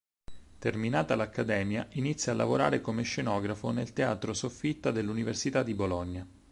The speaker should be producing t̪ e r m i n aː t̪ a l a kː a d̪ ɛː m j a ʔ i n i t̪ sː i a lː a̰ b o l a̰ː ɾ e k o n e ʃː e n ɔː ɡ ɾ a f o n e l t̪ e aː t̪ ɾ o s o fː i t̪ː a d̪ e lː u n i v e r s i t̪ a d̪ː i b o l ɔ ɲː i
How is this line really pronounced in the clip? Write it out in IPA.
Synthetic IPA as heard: t̪ e r m i n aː t̪ a l a kː a d̪ ɛː m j a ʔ i n i t̪ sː j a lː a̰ v o ɾ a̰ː ɾ e k o m e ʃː e n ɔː ɡ ɾ a f o n e l t̪ e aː t̪ ɾ o s o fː i t̪ː a d̪ e lː u n i v e r s i t̪ a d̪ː i b o l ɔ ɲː a